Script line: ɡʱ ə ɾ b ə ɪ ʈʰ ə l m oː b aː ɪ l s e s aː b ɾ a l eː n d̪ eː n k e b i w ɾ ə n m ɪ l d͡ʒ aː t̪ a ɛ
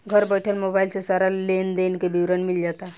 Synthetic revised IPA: ɡʱ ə ɾ b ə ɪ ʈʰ ə l m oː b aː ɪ l s e s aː ɾ a l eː n d̪ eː n k e b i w ɾ ə n m ɪ l d͡ʒ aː t̪ a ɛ